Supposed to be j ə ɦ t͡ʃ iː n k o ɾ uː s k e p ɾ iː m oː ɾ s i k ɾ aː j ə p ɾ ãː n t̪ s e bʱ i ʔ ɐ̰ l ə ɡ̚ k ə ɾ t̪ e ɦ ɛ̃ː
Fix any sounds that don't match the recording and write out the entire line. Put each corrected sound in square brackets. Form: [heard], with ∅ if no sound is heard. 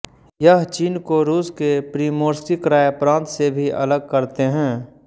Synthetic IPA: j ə ɦ t͡ʃ iː n k o ɾ uː s k e p ɾ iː m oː ɾ s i k ɾ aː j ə p ɾ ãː n t̪ s e bʱ i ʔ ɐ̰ l ə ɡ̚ k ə ɾ t̪ e ɦ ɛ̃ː